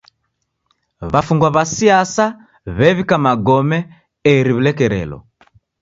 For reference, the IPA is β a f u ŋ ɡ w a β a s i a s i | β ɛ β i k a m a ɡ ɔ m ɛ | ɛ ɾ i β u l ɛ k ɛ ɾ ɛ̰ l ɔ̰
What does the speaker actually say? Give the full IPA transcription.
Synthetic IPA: β a f u ŋ ɡ w a β a s i a s a | β ɛ β i k a m a ɡ ɔ m ɛ | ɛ ɾ i β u l ɛ k ɛ ɾ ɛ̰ l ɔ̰